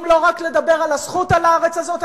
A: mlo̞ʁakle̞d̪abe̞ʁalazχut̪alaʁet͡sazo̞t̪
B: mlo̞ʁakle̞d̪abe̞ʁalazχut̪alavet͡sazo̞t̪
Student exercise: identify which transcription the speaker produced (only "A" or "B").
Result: A